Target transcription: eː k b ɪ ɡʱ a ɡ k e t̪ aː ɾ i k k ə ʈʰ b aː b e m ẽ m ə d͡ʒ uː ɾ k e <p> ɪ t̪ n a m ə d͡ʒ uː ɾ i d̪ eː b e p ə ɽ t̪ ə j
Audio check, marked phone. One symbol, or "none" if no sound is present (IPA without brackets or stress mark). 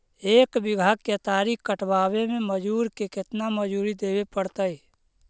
k